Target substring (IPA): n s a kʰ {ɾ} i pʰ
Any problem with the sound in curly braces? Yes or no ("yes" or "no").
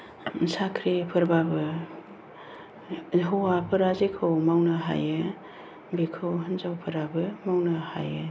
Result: no